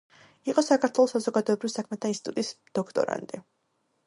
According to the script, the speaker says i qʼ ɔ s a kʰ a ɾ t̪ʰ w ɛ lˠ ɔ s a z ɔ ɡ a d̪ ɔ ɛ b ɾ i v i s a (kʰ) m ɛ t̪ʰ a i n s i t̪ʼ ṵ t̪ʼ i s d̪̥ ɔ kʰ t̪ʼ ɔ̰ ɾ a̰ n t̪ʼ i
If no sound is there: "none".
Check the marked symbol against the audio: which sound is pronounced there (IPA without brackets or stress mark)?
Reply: kʰ